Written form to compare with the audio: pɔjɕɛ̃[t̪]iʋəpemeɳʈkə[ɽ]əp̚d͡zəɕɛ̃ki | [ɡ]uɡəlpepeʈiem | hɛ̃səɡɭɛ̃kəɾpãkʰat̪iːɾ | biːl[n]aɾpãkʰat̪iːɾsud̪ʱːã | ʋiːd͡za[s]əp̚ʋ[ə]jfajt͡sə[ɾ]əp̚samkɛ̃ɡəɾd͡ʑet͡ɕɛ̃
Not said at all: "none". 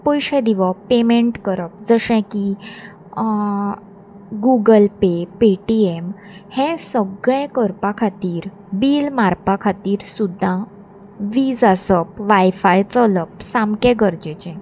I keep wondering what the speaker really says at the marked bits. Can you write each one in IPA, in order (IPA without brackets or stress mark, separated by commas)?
d̪, ɾ, ɡ, m, s, a, l